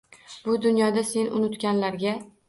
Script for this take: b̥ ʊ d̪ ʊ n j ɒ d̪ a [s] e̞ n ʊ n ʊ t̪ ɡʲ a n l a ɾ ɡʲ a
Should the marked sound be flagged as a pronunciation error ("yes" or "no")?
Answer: no